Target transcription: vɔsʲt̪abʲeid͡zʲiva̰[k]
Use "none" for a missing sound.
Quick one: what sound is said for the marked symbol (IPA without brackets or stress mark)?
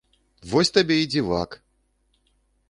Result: k